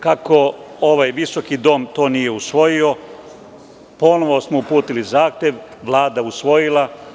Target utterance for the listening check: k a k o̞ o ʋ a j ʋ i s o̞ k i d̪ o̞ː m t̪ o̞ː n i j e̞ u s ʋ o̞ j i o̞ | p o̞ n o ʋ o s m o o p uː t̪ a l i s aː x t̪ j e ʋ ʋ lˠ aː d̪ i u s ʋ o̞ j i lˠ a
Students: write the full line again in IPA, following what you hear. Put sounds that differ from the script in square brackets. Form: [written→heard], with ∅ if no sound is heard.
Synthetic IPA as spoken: k a k o̞ o ʋ a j ʋ i s o̞ k i d̪ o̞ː m t̪ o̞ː n i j e̞ u s ʋ o̞ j i o̞ | p o̞ n o ʋ o s m o [o→u] p uː t̪ [a→i] l i [s→z] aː x t̪ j e ʋ ʋ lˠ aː d̪ [i→a] u s ʋ o̞ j i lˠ a

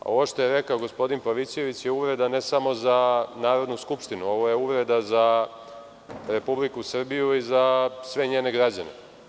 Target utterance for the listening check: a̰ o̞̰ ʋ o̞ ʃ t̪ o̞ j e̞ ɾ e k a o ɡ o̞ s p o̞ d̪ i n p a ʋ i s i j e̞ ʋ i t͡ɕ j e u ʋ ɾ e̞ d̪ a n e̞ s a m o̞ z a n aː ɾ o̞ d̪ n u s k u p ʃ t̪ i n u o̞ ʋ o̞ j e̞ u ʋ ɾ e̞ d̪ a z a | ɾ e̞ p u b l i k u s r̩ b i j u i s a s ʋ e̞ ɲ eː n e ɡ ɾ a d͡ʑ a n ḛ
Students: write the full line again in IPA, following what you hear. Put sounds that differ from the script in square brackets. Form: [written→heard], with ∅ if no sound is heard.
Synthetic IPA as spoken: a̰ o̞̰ ʋ o̞ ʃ t̪ o̞ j e̞ ɾ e k a o ɡ o̞ s p o̞ d̪ i n p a ʋ i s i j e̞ ʋ i t͡ɕ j e u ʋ ɾ e̞ d̪ a n e̞ s a m o̞ z a n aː ɾ o̞ d̪ n u s k u p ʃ t̪ i n u o̞ ʋ o̞ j e̞ u ʋ ɾ e̞ d̪ a z a | ɾ e̞ p u b l i k u s r̩ b i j u i [s→z] a s ʋ e̞ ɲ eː n e ɡ ɾ a d͡ʑ a n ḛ

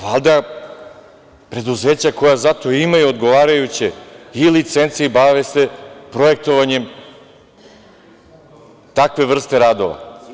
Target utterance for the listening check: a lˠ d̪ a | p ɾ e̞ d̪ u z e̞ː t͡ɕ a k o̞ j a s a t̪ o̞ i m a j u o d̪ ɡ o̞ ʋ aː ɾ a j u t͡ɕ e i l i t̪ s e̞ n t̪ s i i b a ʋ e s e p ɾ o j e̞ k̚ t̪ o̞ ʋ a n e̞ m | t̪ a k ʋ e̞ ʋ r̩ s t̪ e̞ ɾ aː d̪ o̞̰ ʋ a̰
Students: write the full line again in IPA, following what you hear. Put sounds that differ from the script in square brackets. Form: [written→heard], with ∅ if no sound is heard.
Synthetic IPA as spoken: a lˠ d̪ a | p ɾ e̞ d̪ u z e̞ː t͡ɕ a k o̞ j a [s→z] a t̪ o̞ i m a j u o d̪ ɡ o̞ ʋ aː ɾ a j u t͡ɕ e i l i t̪ s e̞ n t̪ s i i b a ʋ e s e p ɾ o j e̞ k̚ t̪ o̞ ʋ a [n→ɲ] e̞ m | t̪ a k ʋ e̞ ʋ r̩ s t̪ e̞ ɾ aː d̪ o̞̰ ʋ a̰

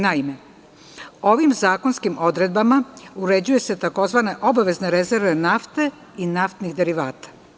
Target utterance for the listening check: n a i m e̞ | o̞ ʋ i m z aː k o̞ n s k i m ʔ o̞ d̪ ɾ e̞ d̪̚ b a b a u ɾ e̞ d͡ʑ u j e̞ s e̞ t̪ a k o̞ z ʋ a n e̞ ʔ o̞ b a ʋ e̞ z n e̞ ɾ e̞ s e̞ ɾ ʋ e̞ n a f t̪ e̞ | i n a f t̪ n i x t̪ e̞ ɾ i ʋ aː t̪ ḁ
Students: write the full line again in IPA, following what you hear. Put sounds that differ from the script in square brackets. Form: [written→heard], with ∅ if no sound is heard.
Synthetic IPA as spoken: n a i m e̞ | o̞ ʋ i m z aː k o̞ n s k i m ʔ o̞ d̪ ɾ e̞ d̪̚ b a [b→m] a u ɾ e̞ d͡ʑ u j e̞ s e̞ t̪ a k o̞ z ʋ a n e̞ ʔ o̞ b a ʋ e̞ z n e̞ ɾ e̞ [s→z] e̞ ɾ ʋ e̞ n a f t̪ e̞ | i n a f t̪ n i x [t̪→d̪] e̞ ɾ i ʋ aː t̪ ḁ

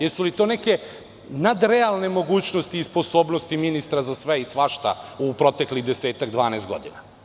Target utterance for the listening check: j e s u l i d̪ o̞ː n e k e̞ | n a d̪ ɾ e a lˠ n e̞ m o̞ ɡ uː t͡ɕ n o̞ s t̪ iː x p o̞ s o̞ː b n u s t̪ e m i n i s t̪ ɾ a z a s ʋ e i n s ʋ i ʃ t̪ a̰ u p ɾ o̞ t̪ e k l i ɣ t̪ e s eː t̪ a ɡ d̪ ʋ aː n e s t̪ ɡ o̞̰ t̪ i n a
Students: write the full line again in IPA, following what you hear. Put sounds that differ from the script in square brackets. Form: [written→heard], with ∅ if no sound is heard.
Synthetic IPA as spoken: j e s u l i [d̪→t̪] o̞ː n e k e̞ | n a d̪ ɾ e a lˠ n e̞ m o̞ ɡ uː t͡ɕ n o̞ s t̪ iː [x→s] p o̞ s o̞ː b n [u→o] s t̪ [e→i] m i n i s t̪ ɾ a z a s ʋ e i [n→∅] s ʋ [i→a] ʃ t̪ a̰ u p ɾ o̞ t̪ e k l i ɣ [t̪→d̪] e s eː t̪ a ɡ d̪ ʋ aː n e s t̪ ɡ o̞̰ [t̪→d̪] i n a

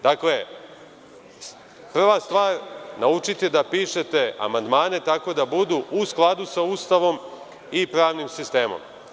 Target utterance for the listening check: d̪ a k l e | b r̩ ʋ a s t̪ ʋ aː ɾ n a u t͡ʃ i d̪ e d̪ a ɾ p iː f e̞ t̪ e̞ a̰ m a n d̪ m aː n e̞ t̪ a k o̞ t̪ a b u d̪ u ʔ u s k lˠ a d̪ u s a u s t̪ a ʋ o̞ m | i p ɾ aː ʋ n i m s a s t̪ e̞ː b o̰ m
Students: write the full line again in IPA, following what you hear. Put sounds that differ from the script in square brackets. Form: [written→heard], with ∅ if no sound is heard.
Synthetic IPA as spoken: d̪ a k l e | [b→p] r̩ ʋ a s t̪ ʋ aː ɾ n a u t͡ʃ i [d̪→t̪] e d̪ a [ɾ→∅] p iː [f→ʃ] e̞ t̪ e̞ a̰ m a n d̪ m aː n e̞ t̪ a k o̞ [t̪→d̪] a b u d̪ u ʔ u s k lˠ a d̪ u s a u s t̪ a ʋ o̞ m | i p ɾ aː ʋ n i m s [a→i] s t̪ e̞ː [b→m] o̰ m

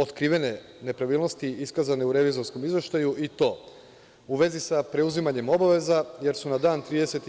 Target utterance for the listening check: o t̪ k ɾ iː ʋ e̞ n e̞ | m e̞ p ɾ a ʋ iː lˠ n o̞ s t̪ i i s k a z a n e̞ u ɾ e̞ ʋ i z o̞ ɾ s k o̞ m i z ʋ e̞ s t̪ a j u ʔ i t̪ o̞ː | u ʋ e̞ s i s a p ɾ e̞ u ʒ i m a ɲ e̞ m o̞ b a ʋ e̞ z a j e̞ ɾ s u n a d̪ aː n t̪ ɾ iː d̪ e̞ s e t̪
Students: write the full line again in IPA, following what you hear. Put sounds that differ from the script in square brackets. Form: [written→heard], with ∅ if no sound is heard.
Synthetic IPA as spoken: o t̪ k ɾ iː ʋ e̞ n e̞ | [m→n] e̞ p ɾ a ʋ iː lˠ n o̞ s t̪ i i s k a z a n e̞ u ɾ e̞ ʋ i z o̞ ɾ s k o̞ m i z ʋ e̞ [s→ʃ] t̪ a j u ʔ i t̪ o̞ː | u ʋ e̞ [s→z] i s a p ɾ e̞ u [ʒ→z] i m a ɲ e̞ m o̞ b a ʋ e̞ z a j e̞ ɾ s u n a d̪ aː n t̪ ɾ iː d̪ e̞ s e t̪

